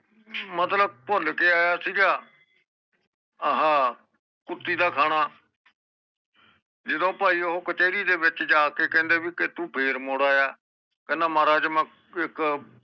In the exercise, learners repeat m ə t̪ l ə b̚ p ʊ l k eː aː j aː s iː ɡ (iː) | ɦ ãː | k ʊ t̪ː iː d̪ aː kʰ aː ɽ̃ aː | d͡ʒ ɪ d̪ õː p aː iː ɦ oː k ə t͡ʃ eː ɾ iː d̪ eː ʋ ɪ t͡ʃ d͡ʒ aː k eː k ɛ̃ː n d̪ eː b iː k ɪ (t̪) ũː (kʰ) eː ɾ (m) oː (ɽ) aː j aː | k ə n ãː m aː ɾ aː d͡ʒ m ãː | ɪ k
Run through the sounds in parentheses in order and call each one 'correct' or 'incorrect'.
incorrect: aː, correct, incorrect: pʰ, correct, correct

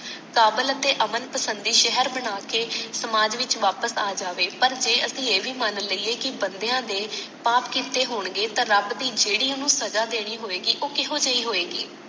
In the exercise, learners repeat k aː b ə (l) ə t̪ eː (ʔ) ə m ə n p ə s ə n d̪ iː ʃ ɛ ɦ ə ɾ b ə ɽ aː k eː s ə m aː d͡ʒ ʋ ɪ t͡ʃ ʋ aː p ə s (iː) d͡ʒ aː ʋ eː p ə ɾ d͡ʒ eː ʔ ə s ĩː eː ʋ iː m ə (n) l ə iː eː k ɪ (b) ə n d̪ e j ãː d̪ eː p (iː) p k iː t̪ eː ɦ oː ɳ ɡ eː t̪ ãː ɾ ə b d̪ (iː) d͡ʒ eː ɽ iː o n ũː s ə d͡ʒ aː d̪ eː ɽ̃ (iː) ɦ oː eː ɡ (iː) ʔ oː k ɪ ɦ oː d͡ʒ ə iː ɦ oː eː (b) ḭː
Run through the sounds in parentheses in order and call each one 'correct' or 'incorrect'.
correct, correct, incorrect: aː, correct, correct, incorrect: aː, correct, correct, correct, incorrect: ɡ

